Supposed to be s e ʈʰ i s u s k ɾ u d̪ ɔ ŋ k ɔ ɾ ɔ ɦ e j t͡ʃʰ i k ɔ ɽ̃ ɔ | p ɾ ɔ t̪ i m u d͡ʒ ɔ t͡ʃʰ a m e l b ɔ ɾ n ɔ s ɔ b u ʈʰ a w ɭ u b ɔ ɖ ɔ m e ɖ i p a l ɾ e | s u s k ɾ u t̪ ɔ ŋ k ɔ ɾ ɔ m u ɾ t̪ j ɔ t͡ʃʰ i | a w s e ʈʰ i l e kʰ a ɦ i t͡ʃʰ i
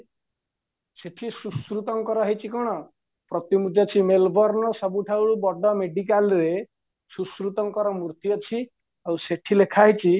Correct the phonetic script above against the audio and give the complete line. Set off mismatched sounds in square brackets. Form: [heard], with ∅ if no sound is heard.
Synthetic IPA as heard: s e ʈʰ i s u s k ɾ u [t̪] ɔ ŋ k ɔ ɾ ɔ ɦ e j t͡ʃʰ i k ɔ ɽ̃ ɔ | p ɾ ɔ t̪ i m u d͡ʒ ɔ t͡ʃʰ [i] m e l b ɔ ɾ n ɔ s ɔ b u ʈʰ a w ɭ u b ɔ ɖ ɔ m e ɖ i [k] a l ɾ e | s u s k ɾ u t̪ ɔ ŋ k ɔ ɾ ɔ m u ɾ t̪ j ɔ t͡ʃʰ i | a w s e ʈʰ i l e kʰ a ɦ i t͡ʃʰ i